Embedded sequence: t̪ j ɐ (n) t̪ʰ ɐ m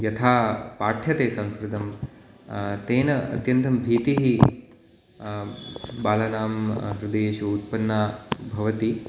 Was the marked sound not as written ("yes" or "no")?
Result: no